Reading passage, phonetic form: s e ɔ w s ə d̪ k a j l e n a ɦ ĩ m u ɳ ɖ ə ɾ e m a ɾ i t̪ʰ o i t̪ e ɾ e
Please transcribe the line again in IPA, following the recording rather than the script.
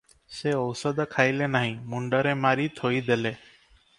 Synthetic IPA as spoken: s e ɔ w s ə d̪ kʰ a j l e n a ɦ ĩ m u ɳ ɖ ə ɾ e m a ɾ i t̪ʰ o i d̪ e l e